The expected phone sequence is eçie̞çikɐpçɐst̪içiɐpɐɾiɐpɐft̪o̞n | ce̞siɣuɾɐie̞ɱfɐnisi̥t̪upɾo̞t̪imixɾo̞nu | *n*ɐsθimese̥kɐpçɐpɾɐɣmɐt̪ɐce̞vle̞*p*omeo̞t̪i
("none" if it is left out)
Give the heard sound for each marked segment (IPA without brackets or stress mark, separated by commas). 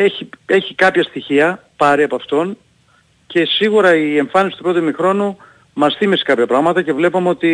m, p